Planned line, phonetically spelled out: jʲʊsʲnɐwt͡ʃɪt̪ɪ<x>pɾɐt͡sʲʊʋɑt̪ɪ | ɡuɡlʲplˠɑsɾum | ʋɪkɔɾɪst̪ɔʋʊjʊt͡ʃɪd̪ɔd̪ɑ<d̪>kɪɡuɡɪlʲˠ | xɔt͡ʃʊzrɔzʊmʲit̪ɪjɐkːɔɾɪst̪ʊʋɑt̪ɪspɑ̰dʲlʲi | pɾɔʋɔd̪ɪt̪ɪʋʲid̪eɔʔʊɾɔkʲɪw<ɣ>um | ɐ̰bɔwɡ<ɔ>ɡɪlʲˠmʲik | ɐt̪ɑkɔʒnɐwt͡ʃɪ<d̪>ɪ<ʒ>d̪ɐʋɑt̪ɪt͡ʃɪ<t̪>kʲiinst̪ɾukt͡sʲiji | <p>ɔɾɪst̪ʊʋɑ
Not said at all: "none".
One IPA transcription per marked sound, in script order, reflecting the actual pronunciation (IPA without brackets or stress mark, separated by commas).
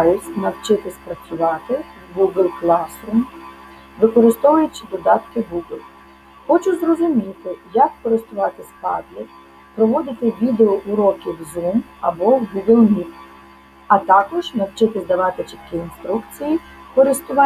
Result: s, t̪, z, u, t̪, z, t̪, k